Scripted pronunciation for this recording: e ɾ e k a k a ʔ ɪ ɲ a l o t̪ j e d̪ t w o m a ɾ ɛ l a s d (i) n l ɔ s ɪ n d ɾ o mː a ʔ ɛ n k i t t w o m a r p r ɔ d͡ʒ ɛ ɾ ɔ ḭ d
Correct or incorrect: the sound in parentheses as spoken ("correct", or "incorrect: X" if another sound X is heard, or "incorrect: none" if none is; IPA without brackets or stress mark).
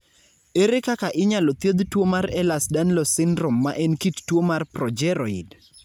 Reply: incorrect: a